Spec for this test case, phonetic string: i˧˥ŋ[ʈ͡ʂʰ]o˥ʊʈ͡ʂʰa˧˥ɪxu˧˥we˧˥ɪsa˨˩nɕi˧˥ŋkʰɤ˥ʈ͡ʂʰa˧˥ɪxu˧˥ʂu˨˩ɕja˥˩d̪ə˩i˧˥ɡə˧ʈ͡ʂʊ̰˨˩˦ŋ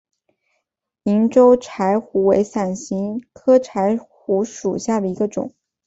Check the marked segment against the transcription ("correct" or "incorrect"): incorrect